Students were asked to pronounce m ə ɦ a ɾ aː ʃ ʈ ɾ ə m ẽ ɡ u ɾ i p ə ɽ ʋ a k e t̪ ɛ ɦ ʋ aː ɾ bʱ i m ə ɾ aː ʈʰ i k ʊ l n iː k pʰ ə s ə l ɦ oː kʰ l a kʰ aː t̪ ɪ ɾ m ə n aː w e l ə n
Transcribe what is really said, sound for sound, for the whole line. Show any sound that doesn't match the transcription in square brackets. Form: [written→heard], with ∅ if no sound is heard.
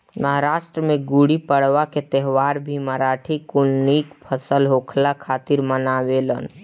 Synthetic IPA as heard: m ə ɦ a ɾ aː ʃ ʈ ɾ ə m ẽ ɡ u [ɾ→ɽ] i p ə ɽ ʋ a k e t̪ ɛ ɦ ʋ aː ɾ bʱ i m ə ɾ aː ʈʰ i k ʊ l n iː k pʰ ə s ə l ɦ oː kʰ l a kʰ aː t̪ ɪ ɾ m ə n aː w e l ə n